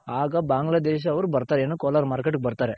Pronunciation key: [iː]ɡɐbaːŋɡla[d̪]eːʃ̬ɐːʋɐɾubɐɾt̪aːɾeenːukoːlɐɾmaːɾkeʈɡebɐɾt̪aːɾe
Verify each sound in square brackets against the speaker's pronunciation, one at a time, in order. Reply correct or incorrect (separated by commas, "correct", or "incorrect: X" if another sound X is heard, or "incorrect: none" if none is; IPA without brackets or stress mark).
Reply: incorrect: aː, correct